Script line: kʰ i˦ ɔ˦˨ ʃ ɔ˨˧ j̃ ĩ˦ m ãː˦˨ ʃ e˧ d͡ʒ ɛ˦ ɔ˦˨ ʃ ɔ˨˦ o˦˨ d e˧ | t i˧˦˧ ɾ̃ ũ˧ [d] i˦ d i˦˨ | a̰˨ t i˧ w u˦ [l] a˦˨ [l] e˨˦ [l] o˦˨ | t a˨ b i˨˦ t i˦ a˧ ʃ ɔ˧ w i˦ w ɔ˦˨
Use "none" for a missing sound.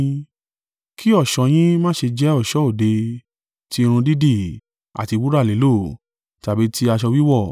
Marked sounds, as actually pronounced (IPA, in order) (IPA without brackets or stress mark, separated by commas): d, ɾ, l, l